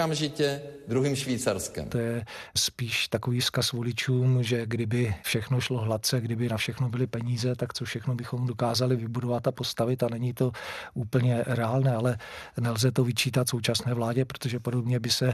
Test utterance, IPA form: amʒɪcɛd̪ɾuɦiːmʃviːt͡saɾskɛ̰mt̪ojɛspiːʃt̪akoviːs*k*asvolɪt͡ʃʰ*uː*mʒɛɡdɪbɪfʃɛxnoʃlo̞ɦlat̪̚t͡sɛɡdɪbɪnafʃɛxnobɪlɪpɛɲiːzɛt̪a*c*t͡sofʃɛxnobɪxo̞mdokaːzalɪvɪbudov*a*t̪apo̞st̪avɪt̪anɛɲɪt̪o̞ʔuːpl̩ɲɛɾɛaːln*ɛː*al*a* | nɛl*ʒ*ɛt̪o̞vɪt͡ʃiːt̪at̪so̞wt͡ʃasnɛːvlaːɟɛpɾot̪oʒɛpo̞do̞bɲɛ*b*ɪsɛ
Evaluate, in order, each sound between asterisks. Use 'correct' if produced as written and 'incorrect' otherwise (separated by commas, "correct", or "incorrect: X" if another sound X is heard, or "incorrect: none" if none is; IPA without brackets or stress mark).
correct, correct, incorrect: k, correct, correct, incorrect: ɛ, incorrect: z, correct